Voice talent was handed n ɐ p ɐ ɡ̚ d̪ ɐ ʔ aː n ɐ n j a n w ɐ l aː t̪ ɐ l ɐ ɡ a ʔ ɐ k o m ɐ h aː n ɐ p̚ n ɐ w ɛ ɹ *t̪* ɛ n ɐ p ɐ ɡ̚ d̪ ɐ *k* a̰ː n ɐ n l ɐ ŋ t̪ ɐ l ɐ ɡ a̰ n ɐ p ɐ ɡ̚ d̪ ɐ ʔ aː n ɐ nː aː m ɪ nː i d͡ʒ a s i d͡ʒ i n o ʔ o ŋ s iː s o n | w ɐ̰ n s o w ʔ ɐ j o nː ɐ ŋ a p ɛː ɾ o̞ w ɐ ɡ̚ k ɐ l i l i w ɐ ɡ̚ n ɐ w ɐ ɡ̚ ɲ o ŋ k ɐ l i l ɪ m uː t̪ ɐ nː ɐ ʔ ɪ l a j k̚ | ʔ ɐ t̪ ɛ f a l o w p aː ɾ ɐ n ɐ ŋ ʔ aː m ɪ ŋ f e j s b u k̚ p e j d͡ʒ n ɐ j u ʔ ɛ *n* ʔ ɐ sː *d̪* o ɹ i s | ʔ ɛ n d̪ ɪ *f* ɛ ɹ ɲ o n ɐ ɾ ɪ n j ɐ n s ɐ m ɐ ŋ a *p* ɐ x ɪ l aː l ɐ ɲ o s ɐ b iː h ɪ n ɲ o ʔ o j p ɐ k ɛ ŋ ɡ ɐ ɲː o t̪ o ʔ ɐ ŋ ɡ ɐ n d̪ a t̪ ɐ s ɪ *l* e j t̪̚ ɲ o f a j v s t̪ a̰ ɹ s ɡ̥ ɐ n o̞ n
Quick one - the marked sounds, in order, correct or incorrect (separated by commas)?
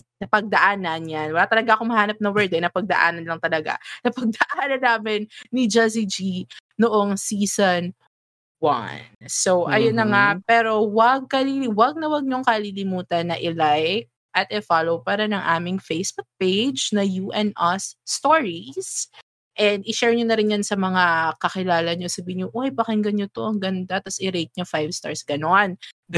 incorrect, incorrect, correct, incorrect, incorrect, incorrect, incorrect